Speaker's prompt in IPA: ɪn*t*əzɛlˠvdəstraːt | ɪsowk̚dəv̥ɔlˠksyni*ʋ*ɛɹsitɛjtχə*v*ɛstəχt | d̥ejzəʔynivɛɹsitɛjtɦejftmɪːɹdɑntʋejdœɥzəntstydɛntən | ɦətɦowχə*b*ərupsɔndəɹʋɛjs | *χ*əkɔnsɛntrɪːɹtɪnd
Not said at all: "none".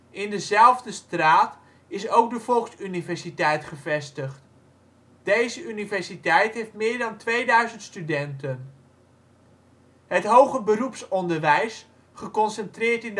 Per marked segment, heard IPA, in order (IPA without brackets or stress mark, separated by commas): d, v, v, b, χ